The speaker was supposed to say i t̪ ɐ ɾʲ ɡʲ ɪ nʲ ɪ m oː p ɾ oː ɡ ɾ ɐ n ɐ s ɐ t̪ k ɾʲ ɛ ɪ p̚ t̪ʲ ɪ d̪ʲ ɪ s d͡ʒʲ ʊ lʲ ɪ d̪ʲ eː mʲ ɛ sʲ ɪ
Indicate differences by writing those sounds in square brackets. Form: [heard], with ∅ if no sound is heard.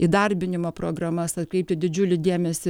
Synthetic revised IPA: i [d̪] ɐ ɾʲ [bʲ] ɪ nʲ ɪ m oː p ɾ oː ɡ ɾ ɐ [m] ɐ s ɐ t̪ k ɾʲ ɛ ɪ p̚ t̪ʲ ɪ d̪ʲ ɪ [∅] d͡ʒʲ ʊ lʲ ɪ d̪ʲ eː mʲ ɛ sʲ ɪ